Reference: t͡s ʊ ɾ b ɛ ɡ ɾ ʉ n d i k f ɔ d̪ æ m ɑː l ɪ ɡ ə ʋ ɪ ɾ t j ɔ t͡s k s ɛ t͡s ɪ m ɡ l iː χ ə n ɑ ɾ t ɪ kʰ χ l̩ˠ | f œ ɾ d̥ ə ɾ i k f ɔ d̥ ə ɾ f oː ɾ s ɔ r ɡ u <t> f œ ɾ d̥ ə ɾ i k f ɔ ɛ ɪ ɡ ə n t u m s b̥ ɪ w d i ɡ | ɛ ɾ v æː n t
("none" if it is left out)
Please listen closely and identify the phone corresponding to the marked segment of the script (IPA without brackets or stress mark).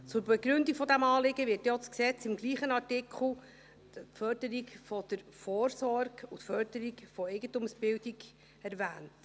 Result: t